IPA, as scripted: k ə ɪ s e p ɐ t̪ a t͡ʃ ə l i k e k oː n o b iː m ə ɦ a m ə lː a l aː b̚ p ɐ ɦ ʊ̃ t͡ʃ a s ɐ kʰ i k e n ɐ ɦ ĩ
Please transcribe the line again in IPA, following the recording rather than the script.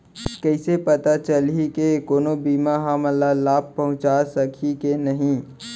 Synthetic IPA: k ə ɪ s e p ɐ t̪ a t͡ʃ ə l i k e k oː n o b iː m a ɦ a m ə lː a l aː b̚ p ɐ ɦ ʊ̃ t͡ʃ a s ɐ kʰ i k e n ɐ ɦ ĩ

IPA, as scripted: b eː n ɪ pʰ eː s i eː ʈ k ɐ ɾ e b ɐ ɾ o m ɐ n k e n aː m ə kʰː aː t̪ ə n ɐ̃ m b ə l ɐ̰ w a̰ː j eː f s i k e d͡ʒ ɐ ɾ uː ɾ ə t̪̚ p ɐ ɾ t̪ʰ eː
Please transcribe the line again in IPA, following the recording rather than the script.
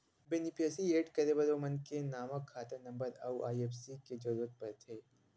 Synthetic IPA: b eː n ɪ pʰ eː s i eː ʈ k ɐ ɾ e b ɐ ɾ o m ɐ n k e n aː m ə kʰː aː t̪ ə n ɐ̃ m b ə ɾ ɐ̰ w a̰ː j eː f s i k e d͡ʒ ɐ ɾ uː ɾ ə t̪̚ p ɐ ɾ t̪ʰ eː

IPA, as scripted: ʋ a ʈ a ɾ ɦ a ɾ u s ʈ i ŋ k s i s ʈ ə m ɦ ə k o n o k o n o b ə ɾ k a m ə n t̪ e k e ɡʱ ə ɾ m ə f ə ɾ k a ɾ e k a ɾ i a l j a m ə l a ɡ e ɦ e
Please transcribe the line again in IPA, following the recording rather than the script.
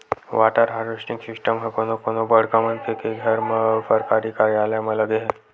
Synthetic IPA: ʋ a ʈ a ɾ ɦ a ɾ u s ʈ i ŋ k s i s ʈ ə m ɦ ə k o n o k o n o b ə ɽ k a m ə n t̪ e k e ɡʱ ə ɾ m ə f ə ɾ k a ɾ i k a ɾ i a l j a m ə l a ɡ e ɦ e

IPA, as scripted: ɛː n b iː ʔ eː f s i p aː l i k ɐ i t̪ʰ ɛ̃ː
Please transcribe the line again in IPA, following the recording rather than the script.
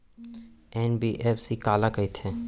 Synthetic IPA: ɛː n b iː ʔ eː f s i k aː l a k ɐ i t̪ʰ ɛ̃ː

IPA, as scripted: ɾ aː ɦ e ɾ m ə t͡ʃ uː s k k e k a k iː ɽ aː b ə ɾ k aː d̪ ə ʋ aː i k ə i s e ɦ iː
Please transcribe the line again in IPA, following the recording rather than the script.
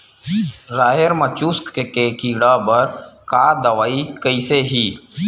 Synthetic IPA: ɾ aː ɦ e ɾ m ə t͡ʃ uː s k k e k e k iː ɽ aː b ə ɾ k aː d̪ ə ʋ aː i k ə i s e ɦ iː

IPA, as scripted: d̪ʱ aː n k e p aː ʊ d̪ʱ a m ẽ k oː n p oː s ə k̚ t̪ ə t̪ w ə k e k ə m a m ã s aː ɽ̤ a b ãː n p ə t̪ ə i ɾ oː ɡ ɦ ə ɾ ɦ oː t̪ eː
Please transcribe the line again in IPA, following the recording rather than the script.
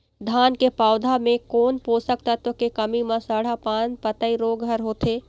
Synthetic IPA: d̪ʱ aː n k e p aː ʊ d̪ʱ a m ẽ k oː n p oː s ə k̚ t̪ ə t̪ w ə k e k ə m i m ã s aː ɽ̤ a p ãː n p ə t̪ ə i ɾ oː ɡ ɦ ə ɾ ɦ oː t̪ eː

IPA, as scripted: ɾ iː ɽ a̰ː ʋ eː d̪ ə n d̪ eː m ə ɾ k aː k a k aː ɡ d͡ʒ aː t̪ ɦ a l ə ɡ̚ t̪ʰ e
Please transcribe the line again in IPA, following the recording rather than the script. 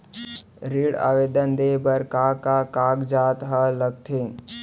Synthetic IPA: ɾ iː ɽ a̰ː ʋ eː d̪ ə n d̪ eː b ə ɾ k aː k a k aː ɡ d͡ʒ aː t̪ ɦ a l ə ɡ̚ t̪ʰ e

